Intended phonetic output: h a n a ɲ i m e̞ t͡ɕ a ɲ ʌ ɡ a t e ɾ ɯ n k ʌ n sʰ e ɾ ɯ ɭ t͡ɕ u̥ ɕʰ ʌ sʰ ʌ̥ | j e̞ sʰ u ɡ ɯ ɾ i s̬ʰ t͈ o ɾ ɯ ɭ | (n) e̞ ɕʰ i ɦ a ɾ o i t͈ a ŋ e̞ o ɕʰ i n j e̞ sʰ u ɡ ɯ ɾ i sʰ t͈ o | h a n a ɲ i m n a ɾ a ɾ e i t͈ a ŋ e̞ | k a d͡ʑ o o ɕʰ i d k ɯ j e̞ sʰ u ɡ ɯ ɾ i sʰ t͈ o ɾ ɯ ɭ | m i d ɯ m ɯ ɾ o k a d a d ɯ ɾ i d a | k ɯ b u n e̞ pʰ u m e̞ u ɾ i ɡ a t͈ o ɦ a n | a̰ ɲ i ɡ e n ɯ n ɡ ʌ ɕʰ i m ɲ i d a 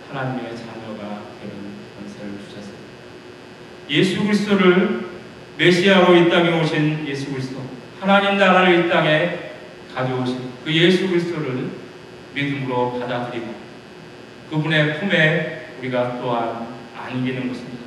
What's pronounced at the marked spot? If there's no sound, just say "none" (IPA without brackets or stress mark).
m